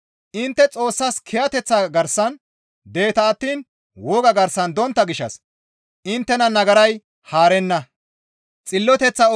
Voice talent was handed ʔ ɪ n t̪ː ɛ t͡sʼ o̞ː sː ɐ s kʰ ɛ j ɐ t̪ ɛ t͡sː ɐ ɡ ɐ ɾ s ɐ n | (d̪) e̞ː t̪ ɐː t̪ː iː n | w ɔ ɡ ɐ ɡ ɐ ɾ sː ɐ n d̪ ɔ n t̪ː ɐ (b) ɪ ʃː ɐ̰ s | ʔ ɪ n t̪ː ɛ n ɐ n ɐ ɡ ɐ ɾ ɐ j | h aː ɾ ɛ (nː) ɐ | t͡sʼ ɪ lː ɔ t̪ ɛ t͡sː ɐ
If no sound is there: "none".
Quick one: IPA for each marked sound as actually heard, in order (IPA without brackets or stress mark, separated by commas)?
d̪, ɡ, nː